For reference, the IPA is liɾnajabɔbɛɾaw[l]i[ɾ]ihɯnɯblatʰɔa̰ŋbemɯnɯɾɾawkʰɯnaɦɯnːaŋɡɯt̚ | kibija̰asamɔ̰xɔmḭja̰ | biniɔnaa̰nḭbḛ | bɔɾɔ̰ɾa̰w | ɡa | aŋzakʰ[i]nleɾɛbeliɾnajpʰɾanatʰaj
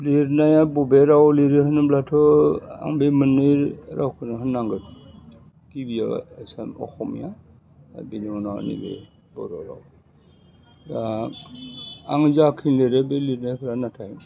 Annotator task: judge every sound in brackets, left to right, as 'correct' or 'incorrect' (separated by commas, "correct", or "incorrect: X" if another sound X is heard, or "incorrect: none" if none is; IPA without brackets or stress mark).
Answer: correct, correct, correct